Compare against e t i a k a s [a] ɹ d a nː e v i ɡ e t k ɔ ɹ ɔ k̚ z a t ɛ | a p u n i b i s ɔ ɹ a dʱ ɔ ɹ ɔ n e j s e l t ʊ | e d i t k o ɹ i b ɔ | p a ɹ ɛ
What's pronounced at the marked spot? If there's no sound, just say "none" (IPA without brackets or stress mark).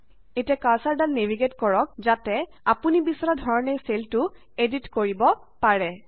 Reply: a